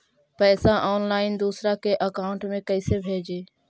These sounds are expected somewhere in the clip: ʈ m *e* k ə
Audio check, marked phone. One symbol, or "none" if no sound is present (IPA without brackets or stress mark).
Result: ẽ